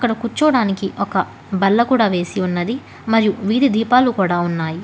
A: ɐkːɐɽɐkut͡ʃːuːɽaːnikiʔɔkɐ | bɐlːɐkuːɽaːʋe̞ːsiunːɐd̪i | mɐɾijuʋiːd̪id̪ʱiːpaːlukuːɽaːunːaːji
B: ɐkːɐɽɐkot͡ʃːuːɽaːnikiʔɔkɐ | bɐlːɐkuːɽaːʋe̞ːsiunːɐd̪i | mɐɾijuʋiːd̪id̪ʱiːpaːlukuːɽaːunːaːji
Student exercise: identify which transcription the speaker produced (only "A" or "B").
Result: A